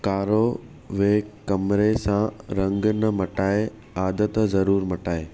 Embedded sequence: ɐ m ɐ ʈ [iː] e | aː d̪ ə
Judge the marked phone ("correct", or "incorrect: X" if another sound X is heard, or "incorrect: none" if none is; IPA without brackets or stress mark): incorrect: aː